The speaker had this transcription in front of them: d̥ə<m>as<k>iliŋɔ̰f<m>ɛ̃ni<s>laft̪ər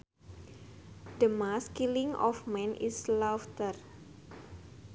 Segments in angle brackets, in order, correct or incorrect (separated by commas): correct, correct, correct, correct